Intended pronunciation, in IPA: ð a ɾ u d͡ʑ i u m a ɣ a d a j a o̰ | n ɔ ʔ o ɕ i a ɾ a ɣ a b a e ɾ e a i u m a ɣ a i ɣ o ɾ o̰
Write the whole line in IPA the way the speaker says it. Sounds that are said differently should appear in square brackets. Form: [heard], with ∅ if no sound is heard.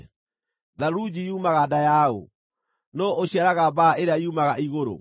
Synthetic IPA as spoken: ð a ɾ u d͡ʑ i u m a ɣ a d a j a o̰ | n ɔ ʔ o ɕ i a ɾ a ɣ a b a e ɾ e a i u m a ɣ a i ɣ o ɾ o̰

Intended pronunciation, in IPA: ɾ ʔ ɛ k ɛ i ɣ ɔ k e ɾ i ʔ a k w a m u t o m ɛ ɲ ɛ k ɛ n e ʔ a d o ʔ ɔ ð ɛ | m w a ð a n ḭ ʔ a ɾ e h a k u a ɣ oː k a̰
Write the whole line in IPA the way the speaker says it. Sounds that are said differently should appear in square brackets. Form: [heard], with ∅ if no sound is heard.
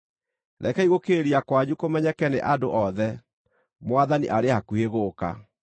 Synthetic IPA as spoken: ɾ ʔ ɛ k ɛ i ɣ [o] k e ɾ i [∅] a k w a [ɲ] u [k] o m ɛ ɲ ɛ k ɛ n e ʔ a d o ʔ ɔ ð ɛ | m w a ð a n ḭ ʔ a ɾ e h a k u [e] ɣ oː k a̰

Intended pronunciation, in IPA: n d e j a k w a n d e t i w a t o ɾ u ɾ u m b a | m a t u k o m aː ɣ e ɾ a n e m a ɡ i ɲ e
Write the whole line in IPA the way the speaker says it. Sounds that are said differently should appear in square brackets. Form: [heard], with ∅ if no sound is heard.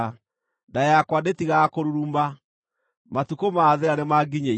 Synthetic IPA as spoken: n d [a] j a k w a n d e t i [ɣ] a [k] o ɾ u ɾ u m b a | m a t u k o m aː [ð] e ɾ a n e m a ɡ i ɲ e

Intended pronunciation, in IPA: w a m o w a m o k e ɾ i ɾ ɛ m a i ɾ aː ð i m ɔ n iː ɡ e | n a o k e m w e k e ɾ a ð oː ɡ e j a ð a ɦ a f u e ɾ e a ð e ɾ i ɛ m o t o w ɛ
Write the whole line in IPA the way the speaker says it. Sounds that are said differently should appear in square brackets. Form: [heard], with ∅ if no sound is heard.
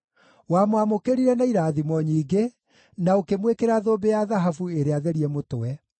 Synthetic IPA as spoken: w a m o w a m o k e ɾ i ɾ ɛ [n] a i ɾ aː ð i m ɔ [ɲ] iː ɡ e | n a o k e m w e k e ɾ a ð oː [b] e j a ð a ɦ a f u e ɾ e a ð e ɾ i ɛ m o t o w ɛ

